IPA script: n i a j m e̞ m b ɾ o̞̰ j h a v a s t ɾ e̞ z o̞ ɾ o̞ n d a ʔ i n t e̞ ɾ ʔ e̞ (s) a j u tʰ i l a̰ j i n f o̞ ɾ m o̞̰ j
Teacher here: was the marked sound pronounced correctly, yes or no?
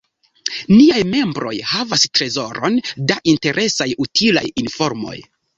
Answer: yes